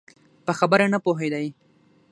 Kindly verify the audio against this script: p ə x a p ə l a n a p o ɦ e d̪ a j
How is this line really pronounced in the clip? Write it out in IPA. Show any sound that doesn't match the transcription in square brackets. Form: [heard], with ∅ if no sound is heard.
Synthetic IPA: p ə x a [b] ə [ɾ] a n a p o ɦ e d̪ a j